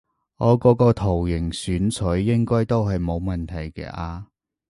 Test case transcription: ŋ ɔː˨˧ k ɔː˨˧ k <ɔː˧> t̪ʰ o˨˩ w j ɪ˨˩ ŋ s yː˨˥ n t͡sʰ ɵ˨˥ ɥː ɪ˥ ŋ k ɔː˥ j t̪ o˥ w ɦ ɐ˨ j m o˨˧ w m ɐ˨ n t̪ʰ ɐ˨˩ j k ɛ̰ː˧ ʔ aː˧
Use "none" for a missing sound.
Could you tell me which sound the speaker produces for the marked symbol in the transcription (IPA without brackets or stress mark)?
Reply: ɔː˧